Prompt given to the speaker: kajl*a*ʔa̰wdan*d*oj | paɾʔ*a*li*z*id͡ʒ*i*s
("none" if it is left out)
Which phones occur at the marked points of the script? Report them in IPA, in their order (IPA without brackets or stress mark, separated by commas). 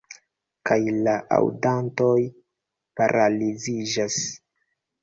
a, t, a, z, a